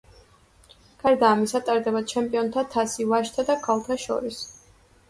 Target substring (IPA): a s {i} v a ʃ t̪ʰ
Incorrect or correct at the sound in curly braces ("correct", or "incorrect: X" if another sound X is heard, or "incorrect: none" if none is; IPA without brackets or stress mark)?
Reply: correct